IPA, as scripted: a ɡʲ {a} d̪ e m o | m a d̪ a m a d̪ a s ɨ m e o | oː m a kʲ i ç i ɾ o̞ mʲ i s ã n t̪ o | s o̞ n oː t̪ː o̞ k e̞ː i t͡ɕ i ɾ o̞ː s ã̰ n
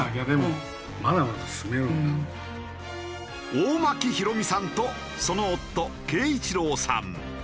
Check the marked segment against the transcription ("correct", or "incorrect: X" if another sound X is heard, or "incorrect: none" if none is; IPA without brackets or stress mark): correct